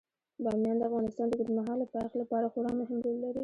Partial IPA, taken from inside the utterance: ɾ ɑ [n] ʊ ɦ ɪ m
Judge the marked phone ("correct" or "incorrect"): incorrect